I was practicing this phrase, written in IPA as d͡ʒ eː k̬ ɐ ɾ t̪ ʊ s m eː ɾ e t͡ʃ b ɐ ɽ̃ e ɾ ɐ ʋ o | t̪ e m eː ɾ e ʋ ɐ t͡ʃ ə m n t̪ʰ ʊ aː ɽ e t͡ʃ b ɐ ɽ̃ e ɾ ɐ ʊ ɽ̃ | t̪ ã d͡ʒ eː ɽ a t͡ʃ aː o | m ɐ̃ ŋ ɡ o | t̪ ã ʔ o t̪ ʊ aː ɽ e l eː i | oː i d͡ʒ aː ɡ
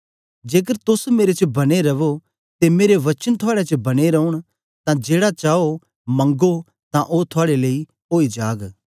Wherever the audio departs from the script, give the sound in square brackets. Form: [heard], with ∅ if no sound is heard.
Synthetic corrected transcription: d͡ʒ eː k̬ [ə] ɾ t̪ ʊ s m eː ɾ e t͡ʃ b ɐ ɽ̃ e ɾ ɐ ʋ o | t̪ e m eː ɾ e ʋ ɐ t͡ʃ ə [∅] n t̪ʰ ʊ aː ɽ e t͡ʃ b ɐ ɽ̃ e ɾ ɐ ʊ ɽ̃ | t̪ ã d͡ʒ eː ɽ a t͡ʃ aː o | m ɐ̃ ŋ ɡ o | t̪ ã ʔ o [t̪ʰ] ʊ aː ɽ e l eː i | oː i d͡ʒ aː ɡ

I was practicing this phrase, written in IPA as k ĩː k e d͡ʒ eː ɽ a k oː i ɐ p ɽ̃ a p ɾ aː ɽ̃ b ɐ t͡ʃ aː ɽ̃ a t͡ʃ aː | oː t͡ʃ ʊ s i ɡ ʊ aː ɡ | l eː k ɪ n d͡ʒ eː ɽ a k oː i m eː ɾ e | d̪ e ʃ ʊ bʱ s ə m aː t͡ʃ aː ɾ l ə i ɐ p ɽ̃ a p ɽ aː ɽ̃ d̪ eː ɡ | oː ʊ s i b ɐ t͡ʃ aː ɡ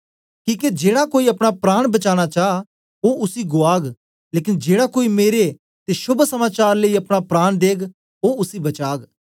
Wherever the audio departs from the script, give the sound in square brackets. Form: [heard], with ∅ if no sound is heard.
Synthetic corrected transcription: k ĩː k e d͡ʒ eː ɽ a k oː i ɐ p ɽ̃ a p ɾ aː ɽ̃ b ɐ t͡ʃ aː ɽ̃ a t͡ʃ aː | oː [∅] ʊ s i ɡ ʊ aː ɡ | l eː k ɪ n d͡ʒ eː ɽ a k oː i m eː ɾ e | [t̪] e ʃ ʊ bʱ s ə m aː t͡ʃ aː ɾ l ə i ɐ p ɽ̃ a p [ɾ] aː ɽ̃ d̪ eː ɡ | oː ʊ s i b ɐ t͡ʃ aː ɡ

